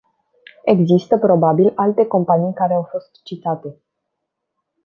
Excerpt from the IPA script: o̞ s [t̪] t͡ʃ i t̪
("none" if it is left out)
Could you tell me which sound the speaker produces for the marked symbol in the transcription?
t̪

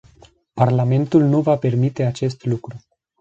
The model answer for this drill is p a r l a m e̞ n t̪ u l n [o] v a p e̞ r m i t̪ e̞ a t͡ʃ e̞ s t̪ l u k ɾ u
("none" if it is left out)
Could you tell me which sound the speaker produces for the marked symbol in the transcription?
u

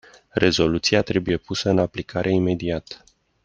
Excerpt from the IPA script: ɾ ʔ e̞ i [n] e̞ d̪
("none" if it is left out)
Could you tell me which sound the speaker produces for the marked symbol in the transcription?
m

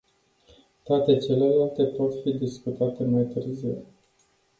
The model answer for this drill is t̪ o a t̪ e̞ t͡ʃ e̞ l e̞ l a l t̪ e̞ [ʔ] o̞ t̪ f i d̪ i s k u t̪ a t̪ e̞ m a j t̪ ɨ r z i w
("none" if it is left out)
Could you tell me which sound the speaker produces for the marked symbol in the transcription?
p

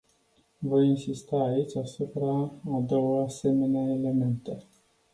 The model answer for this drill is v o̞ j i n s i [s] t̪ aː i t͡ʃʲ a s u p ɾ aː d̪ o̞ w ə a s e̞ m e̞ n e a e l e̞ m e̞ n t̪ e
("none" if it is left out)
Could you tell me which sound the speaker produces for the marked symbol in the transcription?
s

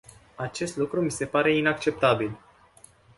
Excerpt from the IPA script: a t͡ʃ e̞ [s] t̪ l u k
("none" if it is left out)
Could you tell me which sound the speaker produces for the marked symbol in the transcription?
s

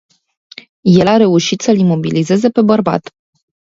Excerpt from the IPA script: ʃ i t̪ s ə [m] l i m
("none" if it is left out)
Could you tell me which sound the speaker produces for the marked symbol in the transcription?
none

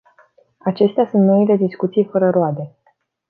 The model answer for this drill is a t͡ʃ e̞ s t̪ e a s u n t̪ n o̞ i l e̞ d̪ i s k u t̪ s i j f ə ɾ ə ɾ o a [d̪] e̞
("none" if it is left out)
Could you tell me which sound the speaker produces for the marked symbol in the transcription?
d̪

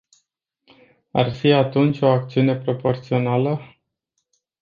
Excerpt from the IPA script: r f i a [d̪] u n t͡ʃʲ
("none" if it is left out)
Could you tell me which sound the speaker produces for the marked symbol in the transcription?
t̪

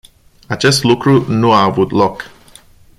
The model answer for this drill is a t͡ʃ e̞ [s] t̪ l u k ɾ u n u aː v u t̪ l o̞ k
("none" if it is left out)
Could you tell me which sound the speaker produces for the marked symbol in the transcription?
s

